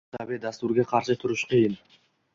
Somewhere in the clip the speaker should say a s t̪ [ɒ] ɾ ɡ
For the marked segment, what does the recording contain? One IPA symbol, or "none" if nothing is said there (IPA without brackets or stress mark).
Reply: u